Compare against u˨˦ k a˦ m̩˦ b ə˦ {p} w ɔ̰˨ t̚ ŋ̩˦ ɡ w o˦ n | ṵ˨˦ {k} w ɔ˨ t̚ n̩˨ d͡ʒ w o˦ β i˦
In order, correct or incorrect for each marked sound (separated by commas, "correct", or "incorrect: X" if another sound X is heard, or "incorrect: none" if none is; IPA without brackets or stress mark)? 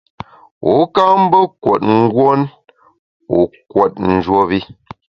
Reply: incorrect: k, correct